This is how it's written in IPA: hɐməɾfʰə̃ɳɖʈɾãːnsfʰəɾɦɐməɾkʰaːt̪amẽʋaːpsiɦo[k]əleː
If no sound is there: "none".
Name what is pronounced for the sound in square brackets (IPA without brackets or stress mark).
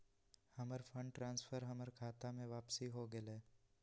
ɡ